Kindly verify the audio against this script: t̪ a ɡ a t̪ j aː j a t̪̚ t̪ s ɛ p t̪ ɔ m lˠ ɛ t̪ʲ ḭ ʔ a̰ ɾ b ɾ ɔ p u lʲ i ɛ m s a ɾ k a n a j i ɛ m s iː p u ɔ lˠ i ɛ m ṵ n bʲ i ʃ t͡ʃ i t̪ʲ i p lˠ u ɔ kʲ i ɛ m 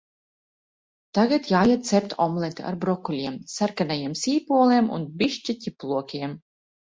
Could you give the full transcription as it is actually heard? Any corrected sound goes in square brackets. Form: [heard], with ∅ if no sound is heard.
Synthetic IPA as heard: t̪ a ɡ a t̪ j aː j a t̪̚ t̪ s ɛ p t̪ ɔ m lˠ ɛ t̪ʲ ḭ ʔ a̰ ɾ b ɾ ɔ [k] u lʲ i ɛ m s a ɾ k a n a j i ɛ m s iː p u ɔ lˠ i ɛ m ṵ n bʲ i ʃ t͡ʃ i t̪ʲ i p lˠ u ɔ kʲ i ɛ m

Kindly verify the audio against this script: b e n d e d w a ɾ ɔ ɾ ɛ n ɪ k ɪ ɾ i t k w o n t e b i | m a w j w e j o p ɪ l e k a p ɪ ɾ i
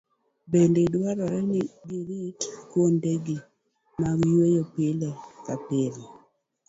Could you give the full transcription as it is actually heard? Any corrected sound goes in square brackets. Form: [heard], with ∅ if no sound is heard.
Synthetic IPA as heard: b e n d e d w a ɾ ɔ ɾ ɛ n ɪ [ɡ] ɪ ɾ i t k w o n [d] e [ɡ] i | m a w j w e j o p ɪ l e k a p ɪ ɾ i

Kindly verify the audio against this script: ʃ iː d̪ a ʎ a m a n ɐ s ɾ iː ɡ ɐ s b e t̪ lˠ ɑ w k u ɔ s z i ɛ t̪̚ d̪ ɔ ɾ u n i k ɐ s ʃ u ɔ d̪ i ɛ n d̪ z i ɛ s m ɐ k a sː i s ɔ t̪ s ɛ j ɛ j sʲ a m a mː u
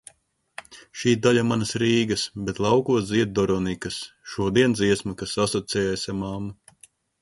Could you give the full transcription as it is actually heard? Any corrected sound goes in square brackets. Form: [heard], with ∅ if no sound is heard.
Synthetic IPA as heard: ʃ iː d̪ a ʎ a m a n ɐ s ɾ iː ɡ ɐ s b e t̪ lˠ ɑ w k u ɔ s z i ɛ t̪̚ d̪ ɔ ɾ [ɔ] n i k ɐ s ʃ u ɔ d̪ i ɛ n d̪ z i ɛ s m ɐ k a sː [a] s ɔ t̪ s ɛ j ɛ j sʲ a m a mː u

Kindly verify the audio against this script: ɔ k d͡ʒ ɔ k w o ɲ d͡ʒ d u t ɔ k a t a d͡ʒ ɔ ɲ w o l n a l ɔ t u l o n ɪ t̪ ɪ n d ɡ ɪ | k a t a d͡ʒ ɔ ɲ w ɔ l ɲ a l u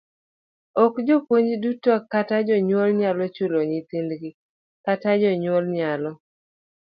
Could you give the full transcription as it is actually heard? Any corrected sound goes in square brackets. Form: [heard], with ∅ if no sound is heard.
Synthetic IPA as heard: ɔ k d͡ʒ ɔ [p] w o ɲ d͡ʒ d u t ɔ k a t a d͡ʒ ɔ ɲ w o l [ɲ] a l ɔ [t͡ʃ] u l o [ɲ] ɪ t̪ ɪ n d ɡ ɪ | k a t a d͡ʒ ɔ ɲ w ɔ l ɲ a l [ɔ]

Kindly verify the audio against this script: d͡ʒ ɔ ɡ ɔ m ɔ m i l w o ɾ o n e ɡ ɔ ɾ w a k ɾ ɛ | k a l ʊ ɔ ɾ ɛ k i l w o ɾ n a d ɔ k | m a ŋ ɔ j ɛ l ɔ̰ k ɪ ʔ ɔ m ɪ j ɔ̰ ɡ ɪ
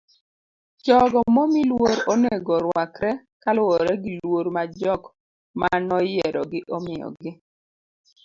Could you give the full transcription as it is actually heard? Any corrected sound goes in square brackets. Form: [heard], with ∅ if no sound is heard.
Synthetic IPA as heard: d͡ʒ ɔ ɡ ɔ m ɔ m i l w o ɾ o n e ɡ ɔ ɾ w a k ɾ ɛ | k a l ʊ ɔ ɾ ɛ [ɡ] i l w o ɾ [m] a [d͡ʒ] ɔ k | m a [n] ɔ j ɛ [ɾ] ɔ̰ [ɡ] ɪ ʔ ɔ m ɪ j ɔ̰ ɡ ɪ

